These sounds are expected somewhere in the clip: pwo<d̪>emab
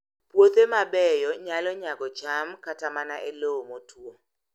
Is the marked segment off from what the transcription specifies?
yes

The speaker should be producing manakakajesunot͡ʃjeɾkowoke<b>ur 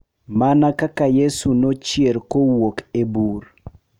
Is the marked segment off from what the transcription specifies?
no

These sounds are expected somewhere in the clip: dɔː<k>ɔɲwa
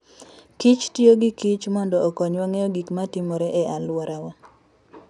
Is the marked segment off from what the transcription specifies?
no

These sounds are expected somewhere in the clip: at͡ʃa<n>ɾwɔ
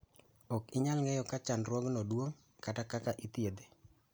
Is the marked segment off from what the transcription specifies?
no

